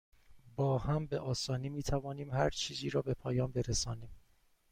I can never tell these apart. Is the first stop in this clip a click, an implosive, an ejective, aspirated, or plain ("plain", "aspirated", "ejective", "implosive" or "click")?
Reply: plain